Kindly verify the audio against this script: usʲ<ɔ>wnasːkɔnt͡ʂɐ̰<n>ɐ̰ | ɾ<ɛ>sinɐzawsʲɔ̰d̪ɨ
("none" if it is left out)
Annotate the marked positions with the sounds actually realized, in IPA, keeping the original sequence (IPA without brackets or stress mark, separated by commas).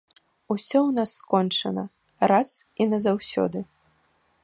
ɔ, n, a